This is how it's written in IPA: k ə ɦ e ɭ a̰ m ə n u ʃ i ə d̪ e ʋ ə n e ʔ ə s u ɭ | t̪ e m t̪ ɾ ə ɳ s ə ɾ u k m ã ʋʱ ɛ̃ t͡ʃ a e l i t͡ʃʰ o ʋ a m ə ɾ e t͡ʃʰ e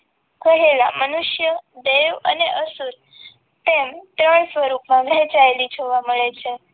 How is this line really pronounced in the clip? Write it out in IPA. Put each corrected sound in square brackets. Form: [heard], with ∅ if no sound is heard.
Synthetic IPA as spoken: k ə ɦ e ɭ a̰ m ə n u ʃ [j] ə d̪ e ʋ ə n e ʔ ə s u [ɾ] | t̪ e m t̪ ɾ ə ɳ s ə ɾ u k m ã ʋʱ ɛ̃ t͡ʃ a e l i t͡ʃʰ o ʋ a m ə [ɭ] e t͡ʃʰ e